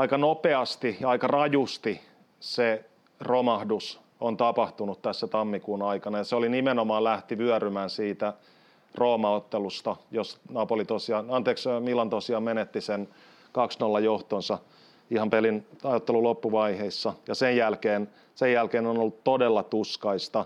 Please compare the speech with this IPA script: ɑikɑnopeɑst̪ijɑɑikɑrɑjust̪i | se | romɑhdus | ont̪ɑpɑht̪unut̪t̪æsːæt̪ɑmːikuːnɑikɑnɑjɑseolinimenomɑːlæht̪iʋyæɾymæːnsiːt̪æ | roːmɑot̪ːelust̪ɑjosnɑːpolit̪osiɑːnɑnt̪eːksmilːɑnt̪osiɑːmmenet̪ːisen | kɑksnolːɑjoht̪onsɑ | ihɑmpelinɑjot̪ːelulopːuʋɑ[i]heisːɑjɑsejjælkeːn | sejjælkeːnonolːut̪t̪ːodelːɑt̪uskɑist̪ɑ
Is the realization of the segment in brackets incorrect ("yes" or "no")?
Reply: no